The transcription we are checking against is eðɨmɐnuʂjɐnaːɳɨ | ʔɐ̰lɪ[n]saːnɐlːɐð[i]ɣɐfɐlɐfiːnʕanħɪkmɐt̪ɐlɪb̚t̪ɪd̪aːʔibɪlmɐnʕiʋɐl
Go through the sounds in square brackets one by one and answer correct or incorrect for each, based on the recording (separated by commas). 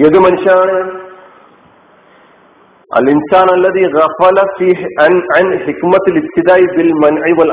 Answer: correct, incorrect